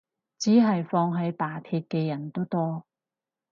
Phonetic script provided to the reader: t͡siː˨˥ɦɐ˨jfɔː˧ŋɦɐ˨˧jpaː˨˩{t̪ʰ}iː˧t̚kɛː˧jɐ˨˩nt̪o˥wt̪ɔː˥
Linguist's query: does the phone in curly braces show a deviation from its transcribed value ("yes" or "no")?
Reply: no